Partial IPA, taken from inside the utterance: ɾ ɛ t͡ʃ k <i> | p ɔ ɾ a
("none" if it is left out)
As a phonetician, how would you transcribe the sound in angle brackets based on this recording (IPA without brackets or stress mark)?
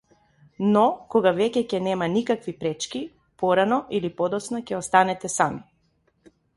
i